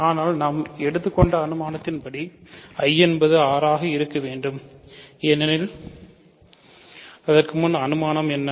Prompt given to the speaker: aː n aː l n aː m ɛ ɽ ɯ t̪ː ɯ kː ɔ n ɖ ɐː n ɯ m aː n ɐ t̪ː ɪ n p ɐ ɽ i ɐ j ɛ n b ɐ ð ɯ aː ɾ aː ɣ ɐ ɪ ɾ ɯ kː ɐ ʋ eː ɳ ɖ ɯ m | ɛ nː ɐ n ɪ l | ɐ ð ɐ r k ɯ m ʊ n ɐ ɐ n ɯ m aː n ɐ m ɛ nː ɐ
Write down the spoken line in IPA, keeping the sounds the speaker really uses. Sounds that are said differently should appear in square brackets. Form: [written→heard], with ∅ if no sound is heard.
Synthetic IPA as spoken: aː n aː l n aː m ɛ ɽ ɯ t̪ː ɯ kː ɔ [n→ɳ] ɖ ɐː n ɯ m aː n ɐ t̪ː ɪ n p ɐ ɽ i ɐ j ɛ n b ɐ ð ɯ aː ɾ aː ɣ ɐ ɪ ɾ ɯ kː ɐ ʋ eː ɳ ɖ ɯ m | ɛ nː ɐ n ɪ l | ɐ ð ɐ r k ɯ m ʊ n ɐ ɐ n ɯ m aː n ɐ m ɛ nː ɐ